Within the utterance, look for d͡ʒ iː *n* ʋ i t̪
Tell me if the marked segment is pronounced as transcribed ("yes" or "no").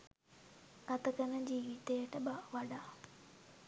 no